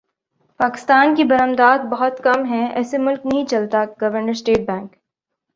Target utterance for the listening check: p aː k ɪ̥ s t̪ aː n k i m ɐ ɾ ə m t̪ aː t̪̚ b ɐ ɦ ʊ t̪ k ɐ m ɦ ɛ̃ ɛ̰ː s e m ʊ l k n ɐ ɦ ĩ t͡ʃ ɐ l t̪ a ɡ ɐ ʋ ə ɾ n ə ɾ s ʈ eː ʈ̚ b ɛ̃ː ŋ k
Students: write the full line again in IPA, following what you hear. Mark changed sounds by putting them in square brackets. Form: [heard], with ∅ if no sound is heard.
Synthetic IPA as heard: p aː k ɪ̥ s t̪ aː n k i [b] ɐ ɾ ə m [d̪] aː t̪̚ b ɐ ɦ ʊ t̪ k ɐ m ɦ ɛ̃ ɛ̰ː s e m ʊ l k n ɐ ɦ ĩ t͡ʃ ɐ l t̪ a ɡ ɐ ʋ ə ɾ n ə ɾ s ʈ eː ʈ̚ b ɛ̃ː ŋ k